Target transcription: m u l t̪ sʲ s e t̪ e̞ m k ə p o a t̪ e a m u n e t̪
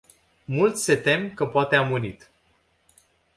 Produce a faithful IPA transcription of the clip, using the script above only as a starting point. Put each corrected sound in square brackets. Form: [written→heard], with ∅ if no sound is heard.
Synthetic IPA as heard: m u l t̪ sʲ s e t̪ e̞ m k ə p o a t̪ e a m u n [e→i] t̪